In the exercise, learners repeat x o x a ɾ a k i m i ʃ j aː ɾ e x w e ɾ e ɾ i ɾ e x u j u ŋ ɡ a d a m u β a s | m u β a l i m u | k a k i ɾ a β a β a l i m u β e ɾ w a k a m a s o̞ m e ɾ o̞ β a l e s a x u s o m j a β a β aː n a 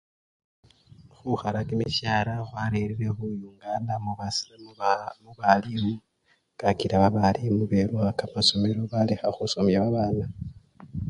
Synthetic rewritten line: x u x a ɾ a k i m i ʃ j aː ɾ a x w a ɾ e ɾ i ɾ e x u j u ŋ ɡ a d a m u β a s | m u β a l i m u | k a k i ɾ a β a β a l i m u β e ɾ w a k a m a s o̞ m e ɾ o̞ β a l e x a x u s o m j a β a β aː n a